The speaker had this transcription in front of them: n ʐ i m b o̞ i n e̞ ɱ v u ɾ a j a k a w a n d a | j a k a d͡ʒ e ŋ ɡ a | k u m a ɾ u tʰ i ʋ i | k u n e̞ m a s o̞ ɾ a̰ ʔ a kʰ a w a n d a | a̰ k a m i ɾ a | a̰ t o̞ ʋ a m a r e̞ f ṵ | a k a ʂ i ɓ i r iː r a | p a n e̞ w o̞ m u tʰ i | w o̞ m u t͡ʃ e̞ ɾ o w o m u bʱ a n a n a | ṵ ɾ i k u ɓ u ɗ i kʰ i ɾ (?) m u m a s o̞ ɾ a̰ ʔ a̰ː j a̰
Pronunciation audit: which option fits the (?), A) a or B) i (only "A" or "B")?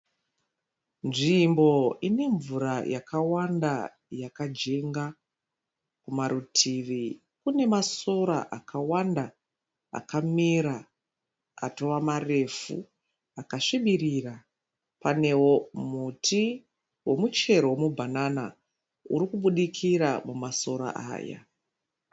A